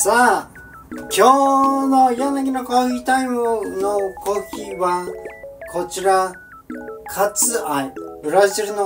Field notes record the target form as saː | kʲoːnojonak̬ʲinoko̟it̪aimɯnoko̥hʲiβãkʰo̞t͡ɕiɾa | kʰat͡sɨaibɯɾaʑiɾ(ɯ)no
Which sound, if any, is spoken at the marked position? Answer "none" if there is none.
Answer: ɯ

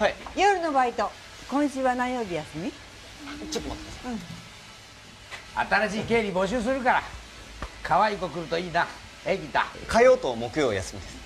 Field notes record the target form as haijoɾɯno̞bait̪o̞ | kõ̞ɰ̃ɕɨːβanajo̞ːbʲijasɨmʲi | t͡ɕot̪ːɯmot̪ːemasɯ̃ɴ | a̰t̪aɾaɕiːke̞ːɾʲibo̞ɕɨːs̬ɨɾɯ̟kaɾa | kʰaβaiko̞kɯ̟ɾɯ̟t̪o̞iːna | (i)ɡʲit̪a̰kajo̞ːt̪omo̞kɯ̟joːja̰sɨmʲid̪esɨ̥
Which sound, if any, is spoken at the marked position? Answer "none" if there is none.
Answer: e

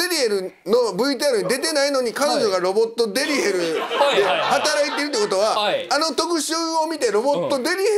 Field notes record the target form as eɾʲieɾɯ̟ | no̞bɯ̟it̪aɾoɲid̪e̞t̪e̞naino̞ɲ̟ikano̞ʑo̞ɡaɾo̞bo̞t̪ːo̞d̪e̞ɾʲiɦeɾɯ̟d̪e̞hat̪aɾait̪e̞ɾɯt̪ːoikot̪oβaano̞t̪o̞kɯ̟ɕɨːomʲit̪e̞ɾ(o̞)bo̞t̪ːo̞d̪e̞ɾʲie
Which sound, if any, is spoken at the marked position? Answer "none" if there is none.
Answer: o̞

